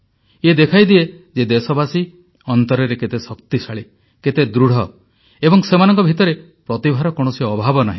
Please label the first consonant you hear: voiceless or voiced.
voiced